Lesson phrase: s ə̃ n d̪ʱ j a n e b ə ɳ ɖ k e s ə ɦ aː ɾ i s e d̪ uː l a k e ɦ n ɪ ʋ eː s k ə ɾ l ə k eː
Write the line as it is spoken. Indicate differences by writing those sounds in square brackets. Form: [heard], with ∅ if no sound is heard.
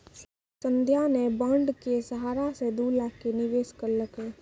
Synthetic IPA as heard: s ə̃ n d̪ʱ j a n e b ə ɳ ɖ k e s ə ɦ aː ɾ [a] s e d̪ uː l a k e [∅] n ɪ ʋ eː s k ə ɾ l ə k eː